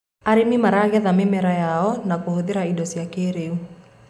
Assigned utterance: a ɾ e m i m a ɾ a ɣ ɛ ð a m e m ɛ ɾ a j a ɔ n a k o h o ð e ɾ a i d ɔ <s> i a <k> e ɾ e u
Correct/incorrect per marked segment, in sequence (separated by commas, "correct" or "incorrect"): correct, correct